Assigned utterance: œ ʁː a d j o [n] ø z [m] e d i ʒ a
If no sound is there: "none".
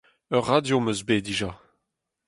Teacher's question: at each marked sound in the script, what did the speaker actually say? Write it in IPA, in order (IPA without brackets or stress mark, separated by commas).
m, b